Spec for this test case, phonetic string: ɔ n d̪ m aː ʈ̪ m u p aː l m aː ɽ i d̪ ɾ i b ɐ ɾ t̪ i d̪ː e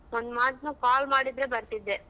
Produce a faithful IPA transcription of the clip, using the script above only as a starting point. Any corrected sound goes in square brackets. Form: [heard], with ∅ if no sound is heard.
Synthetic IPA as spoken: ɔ n d̪ m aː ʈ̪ [n] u [k] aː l m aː ɽ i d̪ ɾ [e] b ɐ ɾ t̪ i d̪ː e